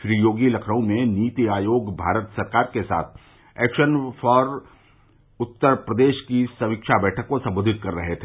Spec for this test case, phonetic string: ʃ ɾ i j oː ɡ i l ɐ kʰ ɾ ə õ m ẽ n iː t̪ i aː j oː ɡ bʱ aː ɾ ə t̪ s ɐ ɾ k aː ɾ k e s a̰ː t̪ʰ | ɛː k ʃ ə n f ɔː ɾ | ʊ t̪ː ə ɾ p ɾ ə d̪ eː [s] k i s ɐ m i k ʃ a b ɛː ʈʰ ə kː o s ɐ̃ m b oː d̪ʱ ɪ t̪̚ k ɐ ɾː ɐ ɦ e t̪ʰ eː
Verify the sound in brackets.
incorrect: ʃ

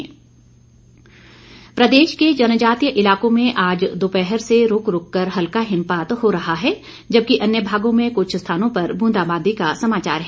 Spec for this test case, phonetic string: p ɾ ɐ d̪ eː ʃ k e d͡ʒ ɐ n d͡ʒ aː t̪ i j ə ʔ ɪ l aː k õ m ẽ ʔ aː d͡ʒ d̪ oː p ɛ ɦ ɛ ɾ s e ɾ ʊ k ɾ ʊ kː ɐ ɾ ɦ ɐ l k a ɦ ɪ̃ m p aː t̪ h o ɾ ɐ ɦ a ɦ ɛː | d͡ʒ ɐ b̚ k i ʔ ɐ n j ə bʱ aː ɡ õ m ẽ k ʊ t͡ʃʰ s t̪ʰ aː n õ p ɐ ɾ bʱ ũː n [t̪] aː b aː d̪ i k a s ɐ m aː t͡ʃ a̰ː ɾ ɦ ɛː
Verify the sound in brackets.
incorrect: d̪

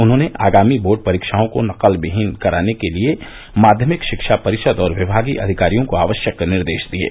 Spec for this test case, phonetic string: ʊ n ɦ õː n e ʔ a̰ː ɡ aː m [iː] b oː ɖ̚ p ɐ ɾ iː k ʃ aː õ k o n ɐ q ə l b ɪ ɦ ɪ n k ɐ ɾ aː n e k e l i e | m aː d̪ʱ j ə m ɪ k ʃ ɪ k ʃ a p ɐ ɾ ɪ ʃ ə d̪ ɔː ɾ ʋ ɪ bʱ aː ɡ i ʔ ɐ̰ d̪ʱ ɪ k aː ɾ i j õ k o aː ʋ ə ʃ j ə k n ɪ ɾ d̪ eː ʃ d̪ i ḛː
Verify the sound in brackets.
incorrect: i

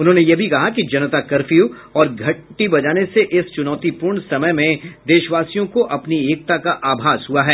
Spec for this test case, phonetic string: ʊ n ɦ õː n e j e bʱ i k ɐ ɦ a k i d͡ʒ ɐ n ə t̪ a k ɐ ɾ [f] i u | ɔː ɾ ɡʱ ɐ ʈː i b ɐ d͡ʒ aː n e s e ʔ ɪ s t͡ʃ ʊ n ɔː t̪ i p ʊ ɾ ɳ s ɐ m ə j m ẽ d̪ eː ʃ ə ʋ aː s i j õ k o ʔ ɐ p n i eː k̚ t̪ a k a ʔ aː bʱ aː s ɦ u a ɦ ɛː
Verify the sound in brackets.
correct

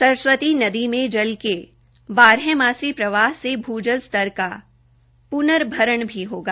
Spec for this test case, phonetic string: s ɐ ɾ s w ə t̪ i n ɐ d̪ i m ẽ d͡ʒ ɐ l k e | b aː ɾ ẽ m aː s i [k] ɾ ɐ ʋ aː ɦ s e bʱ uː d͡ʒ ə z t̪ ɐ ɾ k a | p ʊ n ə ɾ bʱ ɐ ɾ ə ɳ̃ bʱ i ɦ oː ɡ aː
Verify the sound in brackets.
incorrect: p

